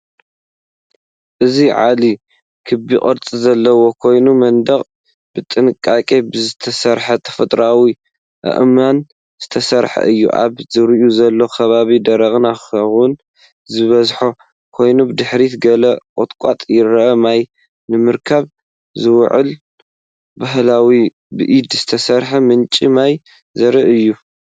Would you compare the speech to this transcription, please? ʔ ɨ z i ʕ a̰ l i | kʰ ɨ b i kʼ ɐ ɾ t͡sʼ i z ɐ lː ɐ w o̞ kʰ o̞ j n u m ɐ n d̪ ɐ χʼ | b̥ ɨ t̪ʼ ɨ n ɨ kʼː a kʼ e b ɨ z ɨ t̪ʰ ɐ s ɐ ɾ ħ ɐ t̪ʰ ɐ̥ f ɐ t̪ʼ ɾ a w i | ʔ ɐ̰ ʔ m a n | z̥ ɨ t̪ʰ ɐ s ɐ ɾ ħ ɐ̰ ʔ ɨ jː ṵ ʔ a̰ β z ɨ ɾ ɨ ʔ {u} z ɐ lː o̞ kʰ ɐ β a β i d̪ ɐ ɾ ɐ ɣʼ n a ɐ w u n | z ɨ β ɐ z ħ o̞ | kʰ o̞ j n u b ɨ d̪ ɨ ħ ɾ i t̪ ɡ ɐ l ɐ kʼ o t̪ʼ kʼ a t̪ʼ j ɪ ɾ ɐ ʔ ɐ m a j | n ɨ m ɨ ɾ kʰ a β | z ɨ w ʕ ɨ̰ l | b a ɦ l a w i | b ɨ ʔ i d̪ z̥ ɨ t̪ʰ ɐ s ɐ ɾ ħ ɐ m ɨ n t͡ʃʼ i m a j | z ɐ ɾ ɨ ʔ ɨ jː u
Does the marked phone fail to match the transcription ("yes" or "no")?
no